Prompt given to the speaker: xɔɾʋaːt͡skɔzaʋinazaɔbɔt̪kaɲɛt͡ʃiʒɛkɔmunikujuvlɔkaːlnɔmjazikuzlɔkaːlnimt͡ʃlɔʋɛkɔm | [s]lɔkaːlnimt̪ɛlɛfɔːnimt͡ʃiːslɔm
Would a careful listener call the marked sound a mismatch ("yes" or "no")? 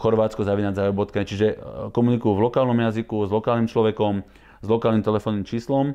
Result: yes